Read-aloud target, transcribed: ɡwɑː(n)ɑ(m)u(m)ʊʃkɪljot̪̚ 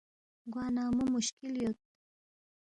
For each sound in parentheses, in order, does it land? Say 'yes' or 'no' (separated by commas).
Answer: yes, yes, yes